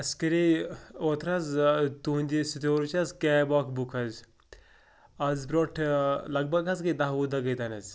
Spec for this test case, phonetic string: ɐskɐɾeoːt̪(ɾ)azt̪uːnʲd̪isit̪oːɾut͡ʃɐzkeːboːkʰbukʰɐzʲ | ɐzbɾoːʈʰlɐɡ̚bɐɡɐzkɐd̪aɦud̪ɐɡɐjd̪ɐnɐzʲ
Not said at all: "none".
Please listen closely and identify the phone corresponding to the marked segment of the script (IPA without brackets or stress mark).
ɾ